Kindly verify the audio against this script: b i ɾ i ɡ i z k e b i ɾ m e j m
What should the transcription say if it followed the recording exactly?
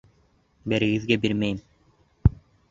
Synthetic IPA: b e ɾ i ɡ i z ɡ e b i ɾ m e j m